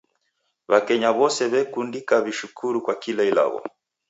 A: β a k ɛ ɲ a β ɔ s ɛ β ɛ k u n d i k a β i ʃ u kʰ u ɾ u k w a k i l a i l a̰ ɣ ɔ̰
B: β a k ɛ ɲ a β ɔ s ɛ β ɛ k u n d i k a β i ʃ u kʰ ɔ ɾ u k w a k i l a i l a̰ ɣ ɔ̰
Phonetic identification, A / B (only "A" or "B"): A